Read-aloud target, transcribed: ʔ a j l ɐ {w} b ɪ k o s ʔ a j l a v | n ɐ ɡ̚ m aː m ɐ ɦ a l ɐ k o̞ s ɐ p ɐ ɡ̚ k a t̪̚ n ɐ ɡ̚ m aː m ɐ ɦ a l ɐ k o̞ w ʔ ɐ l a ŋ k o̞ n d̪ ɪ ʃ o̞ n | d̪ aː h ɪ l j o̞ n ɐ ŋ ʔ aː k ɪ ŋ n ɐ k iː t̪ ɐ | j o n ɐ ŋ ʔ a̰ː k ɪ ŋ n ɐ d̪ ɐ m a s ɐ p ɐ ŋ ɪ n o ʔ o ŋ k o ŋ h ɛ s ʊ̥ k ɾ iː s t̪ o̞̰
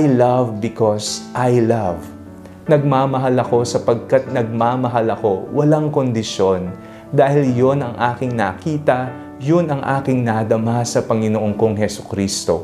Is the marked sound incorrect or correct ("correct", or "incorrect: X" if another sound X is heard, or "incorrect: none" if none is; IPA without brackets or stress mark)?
incorrect: v